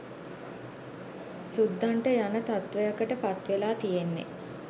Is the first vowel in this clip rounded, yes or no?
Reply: yes